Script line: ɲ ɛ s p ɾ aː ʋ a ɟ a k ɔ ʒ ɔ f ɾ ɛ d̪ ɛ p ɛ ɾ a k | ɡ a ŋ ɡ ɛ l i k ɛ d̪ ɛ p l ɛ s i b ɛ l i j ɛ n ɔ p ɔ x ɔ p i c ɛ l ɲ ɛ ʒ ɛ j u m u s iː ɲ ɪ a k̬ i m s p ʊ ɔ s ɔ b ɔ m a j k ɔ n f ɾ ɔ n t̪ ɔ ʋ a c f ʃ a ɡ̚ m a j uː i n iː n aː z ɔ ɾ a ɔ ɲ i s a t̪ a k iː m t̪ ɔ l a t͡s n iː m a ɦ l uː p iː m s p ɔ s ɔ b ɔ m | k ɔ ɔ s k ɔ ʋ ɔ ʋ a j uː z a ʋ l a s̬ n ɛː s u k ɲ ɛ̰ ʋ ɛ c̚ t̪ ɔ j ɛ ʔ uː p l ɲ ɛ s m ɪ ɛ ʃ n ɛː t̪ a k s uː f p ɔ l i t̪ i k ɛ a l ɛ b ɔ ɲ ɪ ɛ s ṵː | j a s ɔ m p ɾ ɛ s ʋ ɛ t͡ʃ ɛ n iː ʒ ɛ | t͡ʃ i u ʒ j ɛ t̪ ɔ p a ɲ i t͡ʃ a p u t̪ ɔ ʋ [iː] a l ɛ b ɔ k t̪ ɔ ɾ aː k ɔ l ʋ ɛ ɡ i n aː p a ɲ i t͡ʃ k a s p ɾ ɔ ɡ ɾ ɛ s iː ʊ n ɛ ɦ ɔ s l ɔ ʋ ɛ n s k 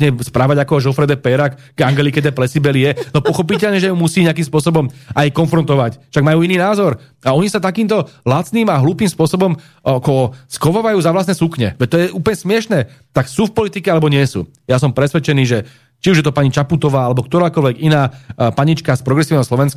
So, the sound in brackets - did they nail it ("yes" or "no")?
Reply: no